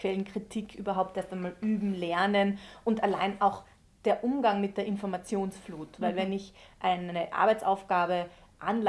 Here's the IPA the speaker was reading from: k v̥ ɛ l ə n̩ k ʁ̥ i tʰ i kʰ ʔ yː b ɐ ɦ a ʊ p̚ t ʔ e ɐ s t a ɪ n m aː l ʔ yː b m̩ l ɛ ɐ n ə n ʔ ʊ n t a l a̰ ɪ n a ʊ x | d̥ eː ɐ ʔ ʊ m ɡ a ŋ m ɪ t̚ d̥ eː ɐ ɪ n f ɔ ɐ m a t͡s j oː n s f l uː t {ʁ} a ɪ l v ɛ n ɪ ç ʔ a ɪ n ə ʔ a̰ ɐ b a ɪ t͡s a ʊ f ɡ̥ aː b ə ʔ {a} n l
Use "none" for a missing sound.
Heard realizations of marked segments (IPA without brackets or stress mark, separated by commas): v, a